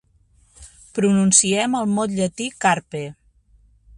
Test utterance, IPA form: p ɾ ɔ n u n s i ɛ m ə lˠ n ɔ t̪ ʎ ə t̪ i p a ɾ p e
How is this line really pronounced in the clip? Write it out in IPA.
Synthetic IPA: p ɾ u n u n s i ɛ m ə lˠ m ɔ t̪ ʎ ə t̪ i k a ɾ p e